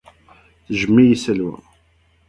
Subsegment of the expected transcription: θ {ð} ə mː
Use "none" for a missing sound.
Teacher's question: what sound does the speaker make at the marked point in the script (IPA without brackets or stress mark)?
ʒ